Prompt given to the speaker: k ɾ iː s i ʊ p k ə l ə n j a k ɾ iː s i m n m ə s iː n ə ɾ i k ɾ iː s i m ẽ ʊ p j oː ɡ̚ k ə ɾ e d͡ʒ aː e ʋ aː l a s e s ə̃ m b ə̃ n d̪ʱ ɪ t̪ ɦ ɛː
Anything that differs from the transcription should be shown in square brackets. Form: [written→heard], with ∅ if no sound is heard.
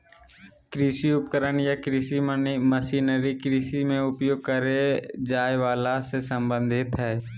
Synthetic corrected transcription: k ɾ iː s i ʊ p k ə [l→ɾ] ə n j a k ɾ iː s i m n m ə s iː n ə ɾ i k ɾ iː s i m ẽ ʊ p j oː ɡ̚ k ə ɾ e d͡ʒ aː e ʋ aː l a s e s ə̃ m b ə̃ n d̪ʱ ɪ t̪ ɦ ɛː

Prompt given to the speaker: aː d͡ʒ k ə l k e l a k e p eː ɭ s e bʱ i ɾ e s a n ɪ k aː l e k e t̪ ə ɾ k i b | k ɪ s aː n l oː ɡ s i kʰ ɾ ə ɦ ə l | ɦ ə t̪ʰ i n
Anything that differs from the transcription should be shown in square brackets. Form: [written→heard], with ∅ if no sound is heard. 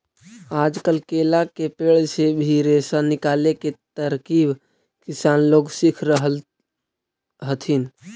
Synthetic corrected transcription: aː d͡ʒ k ə l k e l a k e p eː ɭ s e bʱ i ɾ e s a n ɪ k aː l e k e t̪ ə ɾ k i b | k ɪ s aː n l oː ɡ s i kʰ ɾ ə ɦ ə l | ɦ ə t̪ʰ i n

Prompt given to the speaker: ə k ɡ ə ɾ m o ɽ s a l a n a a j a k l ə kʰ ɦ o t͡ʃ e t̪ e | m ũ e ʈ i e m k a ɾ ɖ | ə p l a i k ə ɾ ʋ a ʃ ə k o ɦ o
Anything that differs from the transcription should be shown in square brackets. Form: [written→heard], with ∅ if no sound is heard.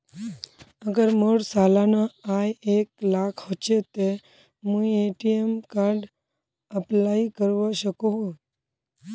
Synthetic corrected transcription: ə [k→∅] ɡ ə ɾ m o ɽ s a l a n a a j [a→e] k l [ə→a] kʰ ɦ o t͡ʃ e t̪ e | m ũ e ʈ i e m k a ɾ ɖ | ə p l a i k ə ɾ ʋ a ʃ ə k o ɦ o

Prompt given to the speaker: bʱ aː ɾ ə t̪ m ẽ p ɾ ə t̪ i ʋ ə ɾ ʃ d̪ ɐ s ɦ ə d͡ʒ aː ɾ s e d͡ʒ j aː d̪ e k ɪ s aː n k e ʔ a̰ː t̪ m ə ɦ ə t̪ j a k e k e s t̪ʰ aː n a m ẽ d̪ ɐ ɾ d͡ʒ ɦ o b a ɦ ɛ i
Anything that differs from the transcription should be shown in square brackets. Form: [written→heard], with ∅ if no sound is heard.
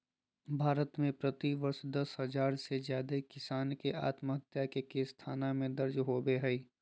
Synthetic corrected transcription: bʱ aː ɾ ə t̪ m ẽ p ɾ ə t̪ i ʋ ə ɾ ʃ d̪ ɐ s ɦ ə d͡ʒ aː ɾ s e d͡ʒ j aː d̪ e k ɪ s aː n k e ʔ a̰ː t̪ m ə ɦ ə t̪ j a k e k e s t̪ʰ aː n a m ẽ d̪ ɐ ɾ d͡ʒ ɦ o b [a→e] ɦ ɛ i

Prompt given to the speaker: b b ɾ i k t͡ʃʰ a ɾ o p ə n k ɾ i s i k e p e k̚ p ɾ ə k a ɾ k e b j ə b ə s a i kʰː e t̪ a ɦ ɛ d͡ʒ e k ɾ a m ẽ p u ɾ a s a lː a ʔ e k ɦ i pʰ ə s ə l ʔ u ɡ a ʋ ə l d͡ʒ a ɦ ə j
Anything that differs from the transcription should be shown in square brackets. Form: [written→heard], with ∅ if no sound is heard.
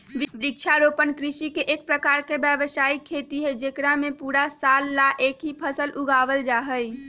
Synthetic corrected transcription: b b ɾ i k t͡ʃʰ a ɾ o p ə n k ɾ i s i k e [p→ʔ] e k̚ p ɾ ə k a ɾ k e b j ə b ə s a i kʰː e t̪ [a→i] ɦ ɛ d͡ʒ e k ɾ a m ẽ p u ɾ a s a lː a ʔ e k ɦ i pʰ ə s ə l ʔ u ɡ a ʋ ə l d͡ʒ a ɦ ə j

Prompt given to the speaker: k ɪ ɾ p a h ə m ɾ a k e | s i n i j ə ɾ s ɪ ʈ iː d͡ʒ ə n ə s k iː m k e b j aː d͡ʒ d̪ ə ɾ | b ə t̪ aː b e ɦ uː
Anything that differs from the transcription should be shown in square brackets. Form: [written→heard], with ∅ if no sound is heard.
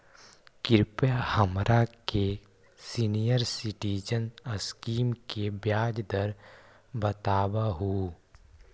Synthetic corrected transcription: k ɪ ɾ p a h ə m ɾ a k e | s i n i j ə ɾ s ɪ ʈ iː d͡ʒ ə n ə s k iː m k e b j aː d͡ʒ d̪ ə ɾ | b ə t̪ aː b [e→a] ɦ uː

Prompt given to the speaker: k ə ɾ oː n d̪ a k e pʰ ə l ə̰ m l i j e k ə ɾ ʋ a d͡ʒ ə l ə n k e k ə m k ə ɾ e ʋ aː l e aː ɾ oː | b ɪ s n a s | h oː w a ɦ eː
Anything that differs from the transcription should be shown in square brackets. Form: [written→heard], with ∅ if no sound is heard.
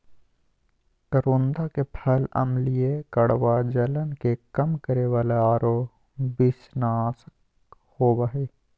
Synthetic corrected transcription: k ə ɾ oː n d̪ a k e pʰ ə l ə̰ m l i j e k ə [ɾ→ɽ] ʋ a d͡ʒ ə l ə n k e k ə m k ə ɾ e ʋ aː l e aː ɾ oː | b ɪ s n a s | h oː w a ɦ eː

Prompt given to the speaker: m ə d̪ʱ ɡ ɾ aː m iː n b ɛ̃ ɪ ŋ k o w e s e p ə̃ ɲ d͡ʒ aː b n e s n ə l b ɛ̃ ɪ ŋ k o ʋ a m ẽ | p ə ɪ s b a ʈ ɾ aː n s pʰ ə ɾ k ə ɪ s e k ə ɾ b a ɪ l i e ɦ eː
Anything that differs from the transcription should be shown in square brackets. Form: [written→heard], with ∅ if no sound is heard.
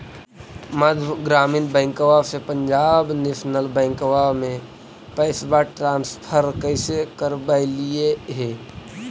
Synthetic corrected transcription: m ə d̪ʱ ɡ ɾ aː m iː n b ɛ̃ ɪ ŋ k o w [e→a] s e p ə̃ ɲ d͡ʒ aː b n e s n ə l b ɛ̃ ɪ ŋ k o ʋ a m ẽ | p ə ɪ s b a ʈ ɾ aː n s pʰ ə ɾ k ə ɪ s e k ə ɾ b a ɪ l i e ɦ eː

